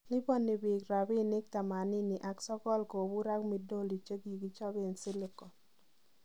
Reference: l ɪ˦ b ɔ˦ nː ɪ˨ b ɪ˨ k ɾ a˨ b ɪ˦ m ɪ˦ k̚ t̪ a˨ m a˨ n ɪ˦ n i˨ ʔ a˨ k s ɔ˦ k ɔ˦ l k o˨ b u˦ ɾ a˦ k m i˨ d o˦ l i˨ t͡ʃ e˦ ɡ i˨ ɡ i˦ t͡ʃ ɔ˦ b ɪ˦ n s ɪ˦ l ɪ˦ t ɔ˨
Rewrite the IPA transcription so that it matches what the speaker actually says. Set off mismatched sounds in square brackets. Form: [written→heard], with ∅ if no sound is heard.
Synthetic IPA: l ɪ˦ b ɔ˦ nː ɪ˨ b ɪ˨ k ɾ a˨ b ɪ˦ [m→n] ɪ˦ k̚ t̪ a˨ m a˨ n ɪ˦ n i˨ ʔ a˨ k s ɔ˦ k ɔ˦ l k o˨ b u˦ ɾ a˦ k m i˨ d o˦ l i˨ t͡ʃ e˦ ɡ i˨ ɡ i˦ t͡ʃ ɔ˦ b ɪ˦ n s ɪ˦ l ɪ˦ [t→k] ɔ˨